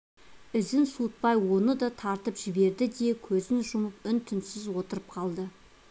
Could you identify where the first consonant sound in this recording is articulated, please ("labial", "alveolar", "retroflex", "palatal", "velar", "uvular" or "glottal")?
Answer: alveolar